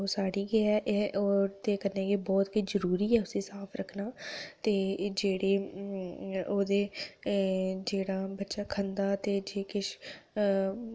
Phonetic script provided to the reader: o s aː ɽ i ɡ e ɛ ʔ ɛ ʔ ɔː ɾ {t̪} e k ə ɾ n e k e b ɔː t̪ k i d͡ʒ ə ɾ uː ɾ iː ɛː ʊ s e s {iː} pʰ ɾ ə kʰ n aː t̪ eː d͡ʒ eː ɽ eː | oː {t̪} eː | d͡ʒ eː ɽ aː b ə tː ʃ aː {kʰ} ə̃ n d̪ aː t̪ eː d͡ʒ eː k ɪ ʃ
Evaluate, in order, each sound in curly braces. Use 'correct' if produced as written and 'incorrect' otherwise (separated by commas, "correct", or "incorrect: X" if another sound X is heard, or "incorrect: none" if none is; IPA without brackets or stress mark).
correct, incorrect: aː, incorrect: d̪, correct